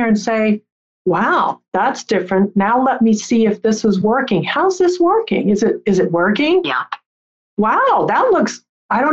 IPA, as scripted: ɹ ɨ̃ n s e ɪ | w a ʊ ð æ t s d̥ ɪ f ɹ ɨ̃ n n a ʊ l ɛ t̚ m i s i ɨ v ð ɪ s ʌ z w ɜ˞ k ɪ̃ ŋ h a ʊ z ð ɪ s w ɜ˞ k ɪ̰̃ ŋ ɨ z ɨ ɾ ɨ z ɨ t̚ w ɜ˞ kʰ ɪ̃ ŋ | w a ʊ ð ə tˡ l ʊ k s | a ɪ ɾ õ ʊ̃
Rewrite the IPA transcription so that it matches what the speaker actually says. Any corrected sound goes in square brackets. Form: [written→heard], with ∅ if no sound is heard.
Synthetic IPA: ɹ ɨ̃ n s e ɪ | w a ʊ ð æ t s d̥ ɪ f ɹ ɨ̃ n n a ʊ l ɛ t̚ m i s i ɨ [v→f] ð ɪ s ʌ z w ɜ˞ k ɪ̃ ŋ h a ʊ z ð ɪ s w ɜ˞ k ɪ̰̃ ŋ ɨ z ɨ ɾ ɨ z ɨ t̚ w ɜ˞ [kʰ→k] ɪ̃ ŋ | w a ʊ ð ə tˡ l ʊ k s | a ɪ ɾ õ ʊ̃